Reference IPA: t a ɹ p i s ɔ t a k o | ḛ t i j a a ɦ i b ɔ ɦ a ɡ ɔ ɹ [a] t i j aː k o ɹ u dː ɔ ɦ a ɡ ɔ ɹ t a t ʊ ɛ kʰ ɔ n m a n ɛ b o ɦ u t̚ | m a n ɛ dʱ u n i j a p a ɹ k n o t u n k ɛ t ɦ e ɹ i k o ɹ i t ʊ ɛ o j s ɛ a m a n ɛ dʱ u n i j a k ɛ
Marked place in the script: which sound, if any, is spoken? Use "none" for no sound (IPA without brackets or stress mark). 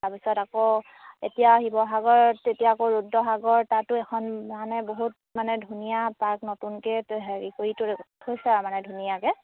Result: e